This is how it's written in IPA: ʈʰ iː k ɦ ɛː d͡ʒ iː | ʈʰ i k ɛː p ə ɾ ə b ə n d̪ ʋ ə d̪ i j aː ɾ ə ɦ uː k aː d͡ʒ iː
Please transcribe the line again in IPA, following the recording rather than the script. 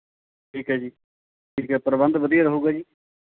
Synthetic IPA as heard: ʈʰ iː k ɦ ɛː d͡ʒ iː | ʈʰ iː k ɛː p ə ɾ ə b ə n d̪ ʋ ə d̪ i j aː ɾ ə ɦ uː ɡ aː d͡ʒ iː